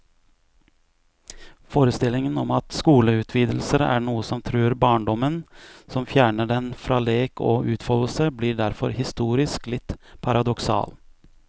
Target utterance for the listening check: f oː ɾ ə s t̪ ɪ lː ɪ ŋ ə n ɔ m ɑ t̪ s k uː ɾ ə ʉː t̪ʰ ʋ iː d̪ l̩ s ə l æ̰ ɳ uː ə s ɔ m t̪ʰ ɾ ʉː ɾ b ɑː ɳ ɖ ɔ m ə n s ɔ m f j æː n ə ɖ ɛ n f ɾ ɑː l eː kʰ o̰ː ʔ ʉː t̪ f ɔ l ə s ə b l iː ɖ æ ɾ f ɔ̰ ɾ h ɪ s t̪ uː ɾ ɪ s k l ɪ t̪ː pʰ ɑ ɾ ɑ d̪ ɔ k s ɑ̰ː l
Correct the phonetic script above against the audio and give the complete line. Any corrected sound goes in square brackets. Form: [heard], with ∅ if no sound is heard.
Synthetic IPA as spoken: f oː ɾ ə s t̪ ɪ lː ɪ ŋ ə n ɔ m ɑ t̪ s k uː [l] ə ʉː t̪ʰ ʋ iː d̪ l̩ s ə [ɾ] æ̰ ɳ uː ə s ɔ m t̪ʰ ɾ ʉː ɾ b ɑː ɳ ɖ ɔ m ə n s ɔ m f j æː [ɳ] ə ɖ ɛ n f ɾ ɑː l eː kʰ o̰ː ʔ ʉː t̪ f ɔ l ə s ə b l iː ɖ æ ɾ f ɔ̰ ɾ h ɪ s t̪ uː ɾ ɪ s k l ɪ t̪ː pʰ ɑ ɾ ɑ d̪ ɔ k s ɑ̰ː l